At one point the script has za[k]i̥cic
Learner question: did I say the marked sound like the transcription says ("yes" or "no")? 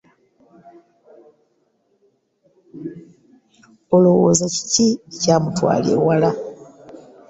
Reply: no